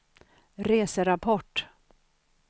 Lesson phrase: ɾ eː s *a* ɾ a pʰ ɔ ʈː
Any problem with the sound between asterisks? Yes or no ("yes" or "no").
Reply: yes